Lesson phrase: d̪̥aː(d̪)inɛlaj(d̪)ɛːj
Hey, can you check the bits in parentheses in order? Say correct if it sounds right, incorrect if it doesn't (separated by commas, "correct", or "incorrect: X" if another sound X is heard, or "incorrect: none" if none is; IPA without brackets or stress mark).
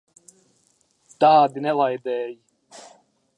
correct, correct